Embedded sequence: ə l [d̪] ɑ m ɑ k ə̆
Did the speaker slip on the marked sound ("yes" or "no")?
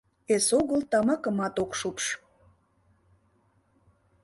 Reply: yes